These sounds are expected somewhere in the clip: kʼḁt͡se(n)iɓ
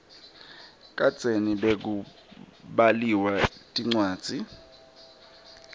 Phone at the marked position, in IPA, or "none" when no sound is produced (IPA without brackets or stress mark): n